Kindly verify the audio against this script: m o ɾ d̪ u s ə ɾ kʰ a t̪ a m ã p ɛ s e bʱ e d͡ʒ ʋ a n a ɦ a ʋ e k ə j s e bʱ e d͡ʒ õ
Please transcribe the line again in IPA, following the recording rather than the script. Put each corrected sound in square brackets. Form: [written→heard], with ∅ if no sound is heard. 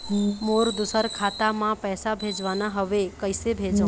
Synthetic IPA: m o ɾ d̪ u s ə ɾ kʰ a t̪ a m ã p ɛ s [e→a] bʱ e d͡ʒ ʋ a n a ɦ [a→ə] ʋ e k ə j s e bʱ e d͡ʒ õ